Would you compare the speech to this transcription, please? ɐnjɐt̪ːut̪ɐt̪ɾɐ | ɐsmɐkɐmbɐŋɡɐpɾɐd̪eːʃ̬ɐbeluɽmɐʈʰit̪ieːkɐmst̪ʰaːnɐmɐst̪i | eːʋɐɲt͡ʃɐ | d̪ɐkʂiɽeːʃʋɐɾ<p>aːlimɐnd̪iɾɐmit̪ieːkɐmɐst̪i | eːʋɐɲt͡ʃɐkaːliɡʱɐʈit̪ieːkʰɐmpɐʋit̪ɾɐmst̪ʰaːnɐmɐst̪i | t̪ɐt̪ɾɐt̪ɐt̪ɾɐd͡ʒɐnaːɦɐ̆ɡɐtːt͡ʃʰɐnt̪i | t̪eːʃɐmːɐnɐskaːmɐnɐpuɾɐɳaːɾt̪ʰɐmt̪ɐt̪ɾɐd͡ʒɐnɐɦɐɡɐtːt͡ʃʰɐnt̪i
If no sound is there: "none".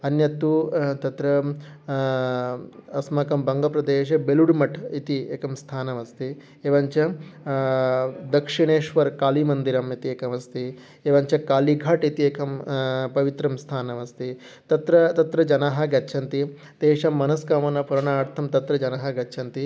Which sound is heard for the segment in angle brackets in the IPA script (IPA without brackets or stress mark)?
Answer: k